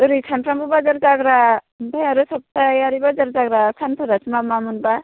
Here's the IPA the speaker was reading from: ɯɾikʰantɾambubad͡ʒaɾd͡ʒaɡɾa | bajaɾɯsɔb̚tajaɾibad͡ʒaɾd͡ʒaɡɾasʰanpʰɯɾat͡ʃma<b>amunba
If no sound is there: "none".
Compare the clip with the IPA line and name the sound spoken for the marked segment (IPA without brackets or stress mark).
m